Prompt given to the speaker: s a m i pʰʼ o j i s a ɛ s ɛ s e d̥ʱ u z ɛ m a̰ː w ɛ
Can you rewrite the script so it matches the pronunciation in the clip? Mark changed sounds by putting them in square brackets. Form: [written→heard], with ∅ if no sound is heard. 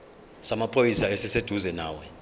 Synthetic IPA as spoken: s a m [i→a] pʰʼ o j i s a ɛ s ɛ s e d̥ʱ u z ɛ [m→n] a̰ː w ɛ